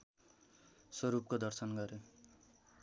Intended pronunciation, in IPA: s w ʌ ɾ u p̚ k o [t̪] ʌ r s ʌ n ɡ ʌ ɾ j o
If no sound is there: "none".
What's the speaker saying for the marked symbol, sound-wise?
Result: d̪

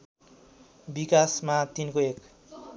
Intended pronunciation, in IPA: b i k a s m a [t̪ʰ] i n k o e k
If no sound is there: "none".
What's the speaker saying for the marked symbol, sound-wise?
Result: t̪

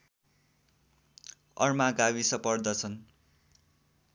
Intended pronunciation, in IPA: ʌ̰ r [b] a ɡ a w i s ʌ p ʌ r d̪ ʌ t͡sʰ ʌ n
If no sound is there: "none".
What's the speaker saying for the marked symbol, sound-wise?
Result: m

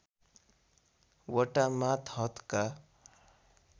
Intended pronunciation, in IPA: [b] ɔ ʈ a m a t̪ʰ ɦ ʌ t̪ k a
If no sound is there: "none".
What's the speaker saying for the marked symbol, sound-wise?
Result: w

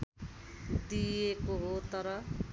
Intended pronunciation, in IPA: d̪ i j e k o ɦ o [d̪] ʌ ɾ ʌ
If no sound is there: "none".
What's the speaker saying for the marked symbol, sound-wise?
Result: t̪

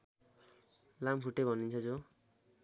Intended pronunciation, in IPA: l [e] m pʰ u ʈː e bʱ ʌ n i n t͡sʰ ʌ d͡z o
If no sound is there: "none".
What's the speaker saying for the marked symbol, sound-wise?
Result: a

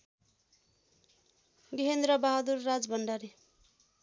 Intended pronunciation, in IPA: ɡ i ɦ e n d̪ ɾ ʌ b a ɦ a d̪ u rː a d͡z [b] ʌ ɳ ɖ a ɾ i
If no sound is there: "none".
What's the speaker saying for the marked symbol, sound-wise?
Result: b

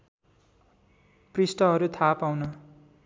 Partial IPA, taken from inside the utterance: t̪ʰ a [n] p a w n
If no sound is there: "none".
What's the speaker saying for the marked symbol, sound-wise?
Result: none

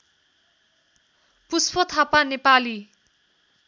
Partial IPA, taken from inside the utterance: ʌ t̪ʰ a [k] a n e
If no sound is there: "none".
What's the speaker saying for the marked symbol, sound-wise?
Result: p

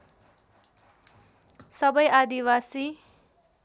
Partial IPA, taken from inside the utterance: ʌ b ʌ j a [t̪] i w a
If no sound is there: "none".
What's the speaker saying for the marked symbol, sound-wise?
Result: d̪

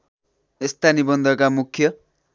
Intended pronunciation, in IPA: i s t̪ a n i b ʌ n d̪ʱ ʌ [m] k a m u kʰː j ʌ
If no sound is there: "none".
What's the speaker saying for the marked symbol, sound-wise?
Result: none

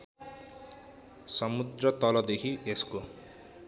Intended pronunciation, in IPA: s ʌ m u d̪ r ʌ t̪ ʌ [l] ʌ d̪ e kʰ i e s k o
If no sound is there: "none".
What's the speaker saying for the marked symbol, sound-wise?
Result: l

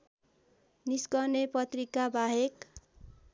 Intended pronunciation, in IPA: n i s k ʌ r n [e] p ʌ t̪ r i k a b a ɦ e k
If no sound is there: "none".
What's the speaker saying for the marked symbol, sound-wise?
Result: e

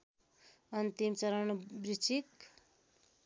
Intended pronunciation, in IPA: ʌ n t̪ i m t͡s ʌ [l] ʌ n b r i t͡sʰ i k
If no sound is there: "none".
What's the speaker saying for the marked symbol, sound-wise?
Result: ɾ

